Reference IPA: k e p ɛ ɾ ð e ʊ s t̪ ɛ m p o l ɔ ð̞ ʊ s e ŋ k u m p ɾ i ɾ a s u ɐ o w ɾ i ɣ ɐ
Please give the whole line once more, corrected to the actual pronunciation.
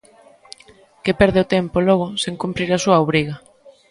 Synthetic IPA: k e p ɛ ɾ ð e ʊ t̪ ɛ m p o l ɔ ɣ̞ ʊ s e ŋ k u m p ɾ i ɾ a s u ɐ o β ɾ i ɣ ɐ